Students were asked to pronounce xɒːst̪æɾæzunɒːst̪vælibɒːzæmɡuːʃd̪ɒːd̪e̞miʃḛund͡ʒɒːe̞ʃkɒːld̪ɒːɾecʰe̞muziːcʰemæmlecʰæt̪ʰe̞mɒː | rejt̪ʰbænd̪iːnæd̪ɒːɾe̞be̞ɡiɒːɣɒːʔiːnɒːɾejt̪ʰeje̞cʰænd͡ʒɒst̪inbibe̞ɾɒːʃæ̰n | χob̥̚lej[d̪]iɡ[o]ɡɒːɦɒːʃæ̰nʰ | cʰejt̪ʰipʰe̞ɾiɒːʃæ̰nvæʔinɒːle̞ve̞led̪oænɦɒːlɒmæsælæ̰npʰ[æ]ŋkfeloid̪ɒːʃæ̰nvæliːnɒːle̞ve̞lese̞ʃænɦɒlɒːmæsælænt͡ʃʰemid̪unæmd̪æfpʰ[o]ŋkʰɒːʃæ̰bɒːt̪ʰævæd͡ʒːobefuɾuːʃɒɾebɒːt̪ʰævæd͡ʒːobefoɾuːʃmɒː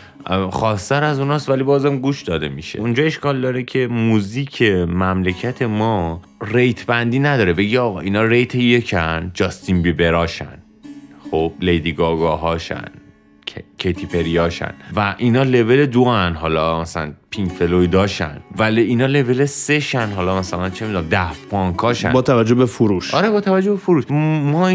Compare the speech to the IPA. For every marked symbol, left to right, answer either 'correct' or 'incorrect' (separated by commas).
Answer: correct, incorrect, incorrect, incorrect